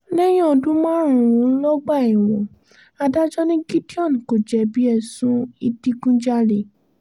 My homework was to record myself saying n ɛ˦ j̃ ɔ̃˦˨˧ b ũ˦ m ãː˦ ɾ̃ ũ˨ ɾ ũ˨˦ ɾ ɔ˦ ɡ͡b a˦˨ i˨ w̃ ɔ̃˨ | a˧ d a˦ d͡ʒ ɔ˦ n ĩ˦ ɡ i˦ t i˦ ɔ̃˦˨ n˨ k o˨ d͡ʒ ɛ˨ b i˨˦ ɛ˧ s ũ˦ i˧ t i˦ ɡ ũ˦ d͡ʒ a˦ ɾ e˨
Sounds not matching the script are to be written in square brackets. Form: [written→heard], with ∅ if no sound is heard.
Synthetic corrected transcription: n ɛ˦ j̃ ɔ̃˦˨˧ [b→d] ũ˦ m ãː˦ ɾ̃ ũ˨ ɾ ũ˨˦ [ɾ→l] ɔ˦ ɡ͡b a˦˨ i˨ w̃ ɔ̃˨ | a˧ d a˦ d͡ʒ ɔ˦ n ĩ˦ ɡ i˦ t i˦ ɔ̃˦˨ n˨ k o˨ d͡ʒ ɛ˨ b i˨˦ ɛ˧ s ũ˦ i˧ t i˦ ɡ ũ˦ d͡ʒ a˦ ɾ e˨